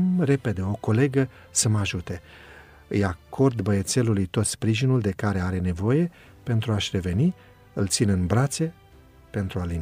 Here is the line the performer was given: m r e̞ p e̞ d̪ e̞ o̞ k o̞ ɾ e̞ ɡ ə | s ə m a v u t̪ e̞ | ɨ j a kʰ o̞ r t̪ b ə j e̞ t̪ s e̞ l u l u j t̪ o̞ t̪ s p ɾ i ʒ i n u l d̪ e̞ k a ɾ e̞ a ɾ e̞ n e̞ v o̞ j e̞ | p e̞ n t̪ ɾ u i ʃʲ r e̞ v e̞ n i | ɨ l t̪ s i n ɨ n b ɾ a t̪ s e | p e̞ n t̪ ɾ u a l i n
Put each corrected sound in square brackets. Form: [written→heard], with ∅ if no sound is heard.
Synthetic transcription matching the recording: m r e̞ p e̞ d̪ e̞ o̞ k o̞ [ɾ→l] e̞ ɡ ə | s ə m a [v→ʒ] u t̪ e̞ | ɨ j a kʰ o̞ r [t̪→d̪] b ə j e̞ t̪ s e̞ l u l u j t̪ o̞ t̪ s p ɾ i ʒ i n u l d̪ e̞ k a ɾ e̞ a ɾ e̞ n e̞ v o̞ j e̞ | p e̞ n t̪ ɾ u [i→a] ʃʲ r e̞ v e̞ n i | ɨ l t̪ s i n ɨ n b ɾ a t̪ s e | p e̞ n t̪ ɾ u a l i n